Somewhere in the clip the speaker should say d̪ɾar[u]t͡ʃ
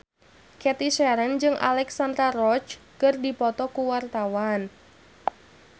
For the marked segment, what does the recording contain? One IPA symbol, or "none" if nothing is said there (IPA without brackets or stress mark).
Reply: ɔ